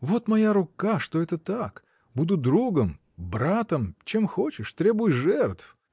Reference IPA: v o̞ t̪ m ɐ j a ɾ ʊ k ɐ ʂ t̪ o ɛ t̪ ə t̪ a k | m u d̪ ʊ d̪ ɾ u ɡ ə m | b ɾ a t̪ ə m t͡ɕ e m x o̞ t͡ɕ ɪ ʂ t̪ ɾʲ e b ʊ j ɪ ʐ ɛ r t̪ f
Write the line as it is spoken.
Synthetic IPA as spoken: v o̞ t̪ m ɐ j a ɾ ʊ k a ʂ t̪ o ɛ t̪ ə t̪ a k | b u d̪ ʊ d̪ ɾ u ɡ ə m | b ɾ a t̪ ə m t͡ɕ e m x o̞ t͡ɕ ɪ ʂ t̪ ɾʲ e b ʊ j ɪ ʐ ɛ r t̪ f